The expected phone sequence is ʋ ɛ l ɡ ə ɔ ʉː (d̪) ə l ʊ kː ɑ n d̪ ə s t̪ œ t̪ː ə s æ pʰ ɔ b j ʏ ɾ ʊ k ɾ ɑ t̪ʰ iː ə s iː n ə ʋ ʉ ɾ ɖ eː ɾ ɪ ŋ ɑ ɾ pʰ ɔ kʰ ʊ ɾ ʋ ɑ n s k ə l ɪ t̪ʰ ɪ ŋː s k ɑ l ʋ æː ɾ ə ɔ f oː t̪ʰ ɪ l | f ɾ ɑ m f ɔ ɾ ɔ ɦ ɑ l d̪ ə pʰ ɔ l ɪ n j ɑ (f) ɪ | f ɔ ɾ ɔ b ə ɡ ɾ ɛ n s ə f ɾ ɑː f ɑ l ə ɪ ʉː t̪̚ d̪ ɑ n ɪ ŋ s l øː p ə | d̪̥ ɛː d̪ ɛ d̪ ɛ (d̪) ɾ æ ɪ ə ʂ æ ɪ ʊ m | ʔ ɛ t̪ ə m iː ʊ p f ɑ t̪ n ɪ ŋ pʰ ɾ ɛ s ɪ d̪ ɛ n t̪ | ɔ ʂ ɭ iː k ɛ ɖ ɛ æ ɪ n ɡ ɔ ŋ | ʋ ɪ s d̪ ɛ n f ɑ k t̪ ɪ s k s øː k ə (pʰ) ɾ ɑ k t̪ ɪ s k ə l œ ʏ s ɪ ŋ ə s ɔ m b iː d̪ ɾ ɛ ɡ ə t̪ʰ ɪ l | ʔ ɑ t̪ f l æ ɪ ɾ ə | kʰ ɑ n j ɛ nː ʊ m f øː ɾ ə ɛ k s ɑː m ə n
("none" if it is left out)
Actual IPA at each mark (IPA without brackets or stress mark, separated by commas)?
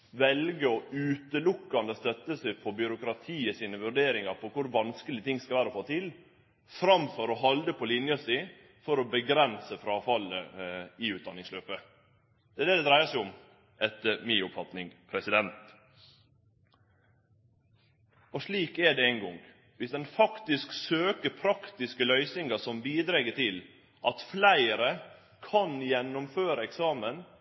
t̪, s, d̪, pʰ